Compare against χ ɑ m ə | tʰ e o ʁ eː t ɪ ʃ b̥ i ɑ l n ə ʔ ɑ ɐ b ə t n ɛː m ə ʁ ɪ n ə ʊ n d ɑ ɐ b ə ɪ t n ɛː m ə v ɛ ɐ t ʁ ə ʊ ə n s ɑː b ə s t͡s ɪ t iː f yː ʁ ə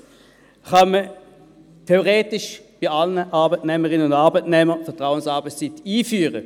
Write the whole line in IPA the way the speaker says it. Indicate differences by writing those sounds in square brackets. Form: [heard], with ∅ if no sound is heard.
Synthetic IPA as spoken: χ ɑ m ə | tʰ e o ʁ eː t ɪ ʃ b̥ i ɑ l n ə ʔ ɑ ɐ b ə t n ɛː m ə ʁ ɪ n ə ʊ n d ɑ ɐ b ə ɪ t n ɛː m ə [f] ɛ ɐ t ʁ [a] ʊ ə n s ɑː b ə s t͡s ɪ t iː f yː ʁ ə